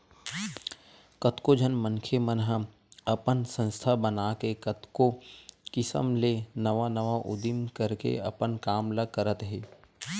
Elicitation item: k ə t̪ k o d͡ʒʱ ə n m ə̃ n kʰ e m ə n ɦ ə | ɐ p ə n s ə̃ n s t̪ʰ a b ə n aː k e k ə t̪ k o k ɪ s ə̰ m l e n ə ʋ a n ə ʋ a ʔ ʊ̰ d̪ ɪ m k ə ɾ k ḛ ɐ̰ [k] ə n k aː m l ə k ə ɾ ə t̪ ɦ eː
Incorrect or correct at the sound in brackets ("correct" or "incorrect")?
incorrect